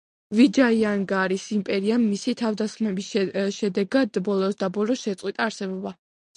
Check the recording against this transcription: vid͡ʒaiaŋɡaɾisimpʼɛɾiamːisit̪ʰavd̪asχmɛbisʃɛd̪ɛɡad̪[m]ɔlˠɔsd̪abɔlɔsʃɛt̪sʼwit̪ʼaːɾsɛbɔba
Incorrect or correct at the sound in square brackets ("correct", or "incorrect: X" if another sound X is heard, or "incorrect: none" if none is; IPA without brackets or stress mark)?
incorrect: b